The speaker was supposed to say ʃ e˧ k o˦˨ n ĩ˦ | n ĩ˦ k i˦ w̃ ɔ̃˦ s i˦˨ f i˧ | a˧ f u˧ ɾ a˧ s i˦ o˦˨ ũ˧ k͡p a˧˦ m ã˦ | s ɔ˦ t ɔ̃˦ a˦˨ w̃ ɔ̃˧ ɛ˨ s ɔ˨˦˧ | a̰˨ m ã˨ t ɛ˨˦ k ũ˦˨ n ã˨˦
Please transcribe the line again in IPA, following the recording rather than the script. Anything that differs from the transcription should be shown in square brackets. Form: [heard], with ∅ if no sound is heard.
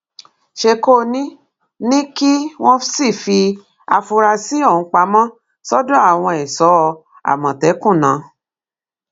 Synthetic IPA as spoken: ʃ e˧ k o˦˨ n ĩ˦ | n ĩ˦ k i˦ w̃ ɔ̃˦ s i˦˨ f i˧ | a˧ f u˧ ɾ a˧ s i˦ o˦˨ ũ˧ k͡p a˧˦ m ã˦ | s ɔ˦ [d] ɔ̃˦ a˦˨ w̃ ɔ̃˧ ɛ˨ s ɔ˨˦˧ | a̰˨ m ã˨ t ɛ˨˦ k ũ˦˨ n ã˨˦